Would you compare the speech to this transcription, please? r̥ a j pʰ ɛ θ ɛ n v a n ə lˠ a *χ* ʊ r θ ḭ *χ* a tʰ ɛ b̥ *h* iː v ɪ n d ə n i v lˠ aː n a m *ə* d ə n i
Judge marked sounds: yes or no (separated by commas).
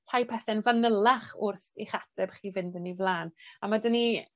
yes, yes, no, no